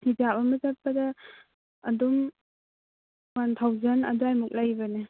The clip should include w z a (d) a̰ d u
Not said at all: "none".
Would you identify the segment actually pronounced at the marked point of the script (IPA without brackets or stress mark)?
n